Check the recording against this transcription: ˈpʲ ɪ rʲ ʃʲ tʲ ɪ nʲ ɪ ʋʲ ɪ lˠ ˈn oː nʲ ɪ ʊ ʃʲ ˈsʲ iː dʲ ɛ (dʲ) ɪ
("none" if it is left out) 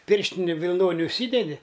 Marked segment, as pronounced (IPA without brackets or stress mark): dʲ